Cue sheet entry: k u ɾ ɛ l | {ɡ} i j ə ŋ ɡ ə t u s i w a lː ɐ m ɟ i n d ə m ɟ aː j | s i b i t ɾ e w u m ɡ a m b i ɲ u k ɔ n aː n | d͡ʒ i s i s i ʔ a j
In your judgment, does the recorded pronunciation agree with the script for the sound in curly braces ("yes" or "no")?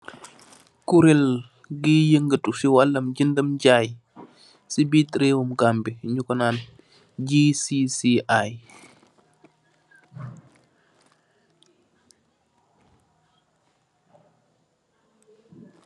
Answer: yes